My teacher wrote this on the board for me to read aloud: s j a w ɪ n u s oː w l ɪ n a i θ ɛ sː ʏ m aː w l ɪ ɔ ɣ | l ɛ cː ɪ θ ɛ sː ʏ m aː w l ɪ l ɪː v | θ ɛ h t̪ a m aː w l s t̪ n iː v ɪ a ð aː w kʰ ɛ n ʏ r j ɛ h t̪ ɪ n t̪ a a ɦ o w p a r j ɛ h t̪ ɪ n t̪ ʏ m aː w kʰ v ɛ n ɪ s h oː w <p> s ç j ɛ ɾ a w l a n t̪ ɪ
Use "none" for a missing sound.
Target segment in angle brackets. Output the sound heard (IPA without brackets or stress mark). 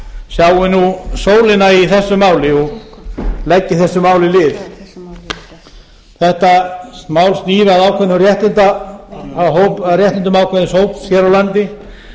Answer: p